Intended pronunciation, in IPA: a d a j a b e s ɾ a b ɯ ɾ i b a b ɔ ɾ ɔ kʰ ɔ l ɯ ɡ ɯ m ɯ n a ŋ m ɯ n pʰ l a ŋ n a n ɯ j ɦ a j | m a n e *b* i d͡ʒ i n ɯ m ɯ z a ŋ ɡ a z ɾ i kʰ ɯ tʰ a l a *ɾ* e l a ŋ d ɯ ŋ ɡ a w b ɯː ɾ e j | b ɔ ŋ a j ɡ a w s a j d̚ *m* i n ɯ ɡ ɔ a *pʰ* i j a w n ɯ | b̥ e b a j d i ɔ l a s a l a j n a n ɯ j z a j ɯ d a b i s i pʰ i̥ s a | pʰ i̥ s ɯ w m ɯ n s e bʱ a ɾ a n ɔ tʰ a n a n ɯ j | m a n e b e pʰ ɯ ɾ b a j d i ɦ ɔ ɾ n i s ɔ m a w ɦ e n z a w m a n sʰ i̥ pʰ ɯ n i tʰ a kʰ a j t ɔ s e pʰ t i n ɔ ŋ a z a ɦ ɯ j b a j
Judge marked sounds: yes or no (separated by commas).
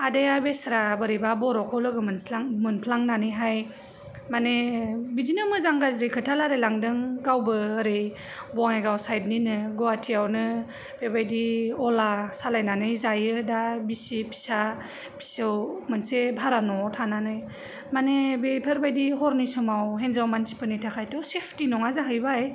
yes, yes, no, no